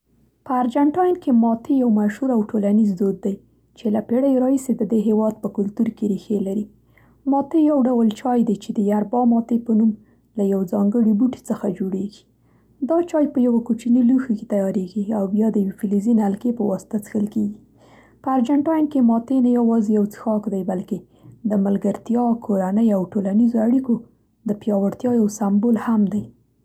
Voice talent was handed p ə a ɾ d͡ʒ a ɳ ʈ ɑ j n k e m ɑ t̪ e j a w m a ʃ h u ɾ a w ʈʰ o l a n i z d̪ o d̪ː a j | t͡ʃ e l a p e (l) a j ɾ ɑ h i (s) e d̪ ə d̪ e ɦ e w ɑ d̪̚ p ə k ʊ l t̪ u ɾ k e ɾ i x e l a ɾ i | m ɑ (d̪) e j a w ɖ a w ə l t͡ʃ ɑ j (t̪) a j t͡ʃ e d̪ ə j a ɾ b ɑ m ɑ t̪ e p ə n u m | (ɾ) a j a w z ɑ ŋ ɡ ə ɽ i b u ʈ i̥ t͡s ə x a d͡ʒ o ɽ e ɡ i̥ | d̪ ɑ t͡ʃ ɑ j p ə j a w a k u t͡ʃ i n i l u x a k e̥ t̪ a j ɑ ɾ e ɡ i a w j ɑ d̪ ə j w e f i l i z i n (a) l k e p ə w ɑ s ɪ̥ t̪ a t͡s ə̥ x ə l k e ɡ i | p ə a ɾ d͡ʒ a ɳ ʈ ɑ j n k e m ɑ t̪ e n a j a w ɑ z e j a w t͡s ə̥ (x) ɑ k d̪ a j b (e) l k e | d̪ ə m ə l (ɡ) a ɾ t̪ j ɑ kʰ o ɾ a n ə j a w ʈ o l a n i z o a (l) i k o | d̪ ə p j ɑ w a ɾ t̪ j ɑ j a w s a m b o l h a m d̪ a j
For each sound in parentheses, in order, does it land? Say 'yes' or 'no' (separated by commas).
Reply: no, yes, no, no, no, yes, yes, no, yes, no